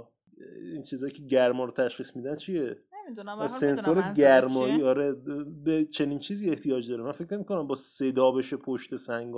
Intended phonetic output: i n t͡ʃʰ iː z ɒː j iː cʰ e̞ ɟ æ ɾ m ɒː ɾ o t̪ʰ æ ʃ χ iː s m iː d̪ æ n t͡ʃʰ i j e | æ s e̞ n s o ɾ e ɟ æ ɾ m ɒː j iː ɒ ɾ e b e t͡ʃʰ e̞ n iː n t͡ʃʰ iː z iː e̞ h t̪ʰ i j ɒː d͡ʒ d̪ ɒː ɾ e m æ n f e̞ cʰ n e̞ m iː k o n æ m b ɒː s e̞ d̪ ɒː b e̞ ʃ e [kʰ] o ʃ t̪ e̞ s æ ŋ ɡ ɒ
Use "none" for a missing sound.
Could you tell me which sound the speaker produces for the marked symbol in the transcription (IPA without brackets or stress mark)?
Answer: pʰ